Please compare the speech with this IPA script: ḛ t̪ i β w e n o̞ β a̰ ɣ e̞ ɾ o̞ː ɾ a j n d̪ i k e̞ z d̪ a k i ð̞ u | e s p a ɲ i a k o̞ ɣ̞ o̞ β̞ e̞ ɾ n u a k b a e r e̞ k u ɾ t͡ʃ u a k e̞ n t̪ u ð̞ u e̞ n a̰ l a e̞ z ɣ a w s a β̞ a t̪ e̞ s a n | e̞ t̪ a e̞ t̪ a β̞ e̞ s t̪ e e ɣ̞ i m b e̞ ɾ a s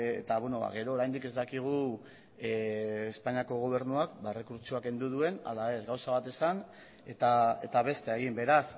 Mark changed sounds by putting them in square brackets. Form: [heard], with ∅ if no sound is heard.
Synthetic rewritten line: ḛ t̪ [a] β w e n o̞ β a̰ ɣ e̞ ɾ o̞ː ɾ a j n d̪ i k e̞ z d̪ a k i [ɣ̞] u | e s p a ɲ i a k o̞ ɣ̞ o̞ β̞ e̞ ɾ n u a k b a e r e̞ k u ɾ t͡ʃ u a k e̞ n [d̪] u ð̞ u e̞ n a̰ l a e̞ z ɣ a w s a β̞ a t̪ e̞ s a n | e̞ t̪ a e̞ t̪ a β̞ e̞ s t̪ e e ɣ̞ i m b e̞ ɾ a s